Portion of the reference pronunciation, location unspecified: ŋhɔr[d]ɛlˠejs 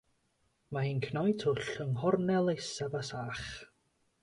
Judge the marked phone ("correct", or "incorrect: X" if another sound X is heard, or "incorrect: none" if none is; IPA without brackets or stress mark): incorrect: n